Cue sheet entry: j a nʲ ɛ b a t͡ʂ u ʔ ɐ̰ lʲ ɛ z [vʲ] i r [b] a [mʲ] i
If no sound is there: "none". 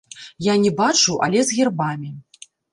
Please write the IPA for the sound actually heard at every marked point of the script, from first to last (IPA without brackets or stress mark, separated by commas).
ɣʲ, b, mʲ